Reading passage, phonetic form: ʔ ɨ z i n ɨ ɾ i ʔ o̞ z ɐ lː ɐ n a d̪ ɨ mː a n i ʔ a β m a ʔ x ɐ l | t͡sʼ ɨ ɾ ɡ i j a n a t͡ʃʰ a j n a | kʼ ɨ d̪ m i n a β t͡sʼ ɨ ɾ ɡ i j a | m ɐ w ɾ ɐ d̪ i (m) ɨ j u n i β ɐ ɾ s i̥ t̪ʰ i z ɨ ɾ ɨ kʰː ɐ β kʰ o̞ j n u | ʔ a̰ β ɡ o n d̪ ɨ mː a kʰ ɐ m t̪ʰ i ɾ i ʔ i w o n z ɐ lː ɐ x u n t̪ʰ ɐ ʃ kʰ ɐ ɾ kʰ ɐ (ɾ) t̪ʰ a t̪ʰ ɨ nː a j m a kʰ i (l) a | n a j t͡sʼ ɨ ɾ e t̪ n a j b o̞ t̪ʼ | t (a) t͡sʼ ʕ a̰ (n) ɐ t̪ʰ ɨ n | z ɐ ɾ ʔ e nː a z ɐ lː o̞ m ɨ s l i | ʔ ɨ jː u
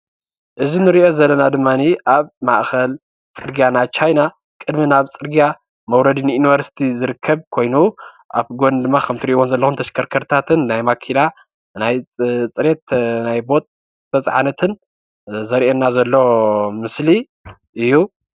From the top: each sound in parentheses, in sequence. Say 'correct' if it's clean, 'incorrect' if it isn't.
incorrect, correct, correct, incorrect, correct

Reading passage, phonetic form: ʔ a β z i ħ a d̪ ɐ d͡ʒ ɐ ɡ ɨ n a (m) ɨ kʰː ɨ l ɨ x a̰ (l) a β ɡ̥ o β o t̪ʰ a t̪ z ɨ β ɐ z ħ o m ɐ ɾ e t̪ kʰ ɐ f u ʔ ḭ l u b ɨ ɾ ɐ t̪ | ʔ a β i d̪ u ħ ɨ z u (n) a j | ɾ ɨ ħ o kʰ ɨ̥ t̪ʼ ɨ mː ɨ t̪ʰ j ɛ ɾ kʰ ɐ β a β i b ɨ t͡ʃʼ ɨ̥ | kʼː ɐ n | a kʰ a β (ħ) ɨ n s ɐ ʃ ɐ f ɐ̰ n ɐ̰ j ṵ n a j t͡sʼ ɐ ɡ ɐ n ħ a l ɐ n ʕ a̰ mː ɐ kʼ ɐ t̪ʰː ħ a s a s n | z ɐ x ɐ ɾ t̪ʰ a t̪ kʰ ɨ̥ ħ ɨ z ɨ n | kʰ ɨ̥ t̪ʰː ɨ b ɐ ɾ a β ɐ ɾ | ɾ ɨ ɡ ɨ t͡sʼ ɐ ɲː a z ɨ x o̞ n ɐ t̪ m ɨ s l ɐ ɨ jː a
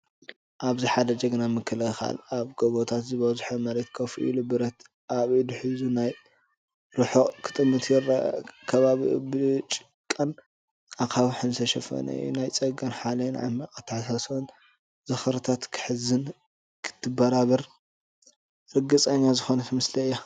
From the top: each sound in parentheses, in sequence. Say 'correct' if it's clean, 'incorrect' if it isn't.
correct, correct, correct, correct

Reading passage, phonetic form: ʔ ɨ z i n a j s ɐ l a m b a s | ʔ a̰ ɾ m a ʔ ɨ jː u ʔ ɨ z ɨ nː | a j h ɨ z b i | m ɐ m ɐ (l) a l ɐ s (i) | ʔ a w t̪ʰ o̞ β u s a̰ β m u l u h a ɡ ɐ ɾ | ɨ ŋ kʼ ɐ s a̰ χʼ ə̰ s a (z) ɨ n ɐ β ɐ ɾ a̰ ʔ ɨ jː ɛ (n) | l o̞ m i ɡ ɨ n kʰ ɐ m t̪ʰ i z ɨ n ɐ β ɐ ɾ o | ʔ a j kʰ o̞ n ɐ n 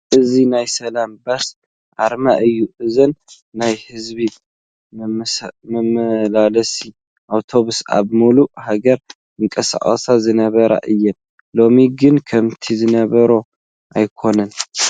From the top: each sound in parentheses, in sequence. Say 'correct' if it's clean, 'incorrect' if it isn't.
correct, correct, correct, correct

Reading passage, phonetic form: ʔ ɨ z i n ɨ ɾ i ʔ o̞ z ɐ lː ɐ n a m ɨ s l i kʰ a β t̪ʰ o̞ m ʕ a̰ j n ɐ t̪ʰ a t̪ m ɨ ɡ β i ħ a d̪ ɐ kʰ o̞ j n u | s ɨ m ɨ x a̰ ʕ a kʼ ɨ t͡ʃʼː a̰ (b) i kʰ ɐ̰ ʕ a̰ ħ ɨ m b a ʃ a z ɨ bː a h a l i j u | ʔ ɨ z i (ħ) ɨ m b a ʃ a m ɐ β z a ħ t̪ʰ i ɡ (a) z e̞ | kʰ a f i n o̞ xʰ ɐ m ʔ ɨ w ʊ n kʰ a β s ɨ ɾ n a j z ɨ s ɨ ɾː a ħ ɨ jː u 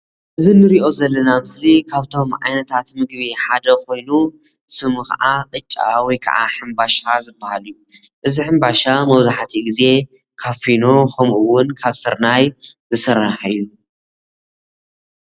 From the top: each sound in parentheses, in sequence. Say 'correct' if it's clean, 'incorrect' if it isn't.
incorrect, correct, incorrect

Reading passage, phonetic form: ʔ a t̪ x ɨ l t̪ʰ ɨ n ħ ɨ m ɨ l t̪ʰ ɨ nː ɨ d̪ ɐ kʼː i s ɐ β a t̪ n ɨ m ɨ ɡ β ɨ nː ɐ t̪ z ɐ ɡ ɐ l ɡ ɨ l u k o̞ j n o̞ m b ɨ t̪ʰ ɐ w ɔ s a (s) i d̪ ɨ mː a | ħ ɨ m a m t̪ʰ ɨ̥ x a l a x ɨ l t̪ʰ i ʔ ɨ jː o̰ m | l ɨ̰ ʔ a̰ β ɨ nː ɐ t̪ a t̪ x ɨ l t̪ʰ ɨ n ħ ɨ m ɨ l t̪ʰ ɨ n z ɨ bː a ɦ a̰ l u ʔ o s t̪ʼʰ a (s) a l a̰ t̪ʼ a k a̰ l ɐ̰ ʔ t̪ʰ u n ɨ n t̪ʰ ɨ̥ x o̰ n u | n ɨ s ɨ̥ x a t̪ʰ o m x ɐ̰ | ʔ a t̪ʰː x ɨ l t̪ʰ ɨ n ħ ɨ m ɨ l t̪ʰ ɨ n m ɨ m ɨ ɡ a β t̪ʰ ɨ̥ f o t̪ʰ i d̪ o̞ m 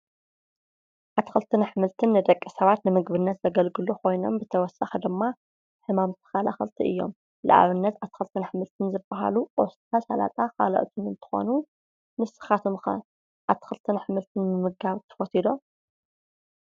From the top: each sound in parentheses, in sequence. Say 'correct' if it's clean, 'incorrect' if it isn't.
incorrect, correct

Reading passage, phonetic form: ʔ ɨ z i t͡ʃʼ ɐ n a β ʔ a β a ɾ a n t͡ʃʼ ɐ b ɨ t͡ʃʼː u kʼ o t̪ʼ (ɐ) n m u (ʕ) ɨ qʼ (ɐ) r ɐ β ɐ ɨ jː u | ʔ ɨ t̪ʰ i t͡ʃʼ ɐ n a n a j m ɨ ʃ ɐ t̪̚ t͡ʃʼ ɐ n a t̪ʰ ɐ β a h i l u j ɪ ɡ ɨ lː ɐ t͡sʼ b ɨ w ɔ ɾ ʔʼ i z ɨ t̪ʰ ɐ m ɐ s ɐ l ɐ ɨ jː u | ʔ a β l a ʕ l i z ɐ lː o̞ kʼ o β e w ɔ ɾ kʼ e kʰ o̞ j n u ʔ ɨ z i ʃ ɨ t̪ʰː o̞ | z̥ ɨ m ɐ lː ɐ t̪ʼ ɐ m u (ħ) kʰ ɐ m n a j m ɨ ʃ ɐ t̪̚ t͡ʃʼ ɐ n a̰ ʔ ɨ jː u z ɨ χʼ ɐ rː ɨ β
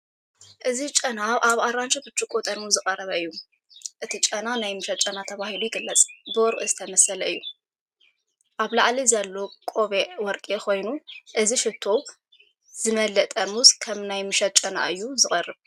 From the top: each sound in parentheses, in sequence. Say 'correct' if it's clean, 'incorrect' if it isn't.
correct, incorrect, correct, incorrect

